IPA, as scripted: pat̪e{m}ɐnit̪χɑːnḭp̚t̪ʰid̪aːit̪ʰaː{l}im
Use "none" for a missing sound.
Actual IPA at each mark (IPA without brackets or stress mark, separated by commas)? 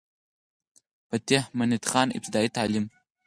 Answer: m, l